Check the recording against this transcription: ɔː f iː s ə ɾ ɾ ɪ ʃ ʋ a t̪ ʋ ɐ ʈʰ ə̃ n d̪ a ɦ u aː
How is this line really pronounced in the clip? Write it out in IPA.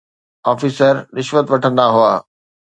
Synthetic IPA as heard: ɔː f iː s ə ɾ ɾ ɪ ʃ ʋ ə t̪ ʋ ɐ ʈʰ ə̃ n d̪ a ɦ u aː